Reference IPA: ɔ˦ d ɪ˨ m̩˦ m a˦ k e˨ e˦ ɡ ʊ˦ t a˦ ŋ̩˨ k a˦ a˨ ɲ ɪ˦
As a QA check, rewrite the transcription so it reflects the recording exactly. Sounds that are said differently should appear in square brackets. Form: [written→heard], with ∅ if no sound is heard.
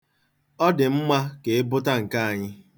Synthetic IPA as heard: ɔ˦ d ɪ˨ m̩˦ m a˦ k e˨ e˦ [ɡ→b] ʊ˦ t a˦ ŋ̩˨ k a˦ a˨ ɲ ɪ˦